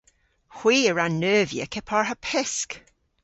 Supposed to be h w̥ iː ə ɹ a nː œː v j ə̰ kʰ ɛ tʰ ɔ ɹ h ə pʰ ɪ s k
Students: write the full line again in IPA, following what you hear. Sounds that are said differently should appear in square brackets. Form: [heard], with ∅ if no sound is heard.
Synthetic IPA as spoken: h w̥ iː ə ɹ a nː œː v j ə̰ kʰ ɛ [pʰ] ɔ ɹ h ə pʰ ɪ s k